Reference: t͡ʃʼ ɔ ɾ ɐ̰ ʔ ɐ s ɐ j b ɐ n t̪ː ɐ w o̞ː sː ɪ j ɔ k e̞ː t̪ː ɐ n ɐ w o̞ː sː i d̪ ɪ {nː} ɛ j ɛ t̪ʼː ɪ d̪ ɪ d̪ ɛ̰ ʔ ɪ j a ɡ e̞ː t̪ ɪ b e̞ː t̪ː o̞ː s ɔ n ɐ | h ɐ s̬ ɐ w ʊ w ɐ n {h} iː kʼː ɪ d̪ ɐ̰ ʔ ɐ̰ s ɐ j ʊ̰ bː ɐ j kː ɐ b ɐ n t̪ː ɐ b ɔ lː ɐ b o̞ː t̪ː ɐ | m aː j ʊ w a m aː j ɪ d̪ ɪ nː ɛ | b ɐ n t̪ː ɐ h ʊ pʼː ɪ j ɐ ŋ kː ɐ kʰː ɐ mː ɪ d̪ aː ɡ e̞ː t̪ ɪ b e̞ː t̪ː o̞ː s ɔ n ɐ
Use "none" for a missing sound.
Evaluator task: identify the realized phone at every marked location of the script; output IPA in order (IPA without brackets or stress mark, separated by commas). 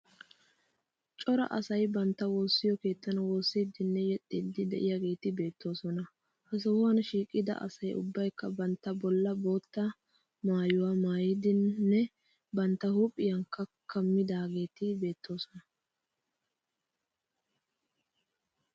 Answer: nː, ʃ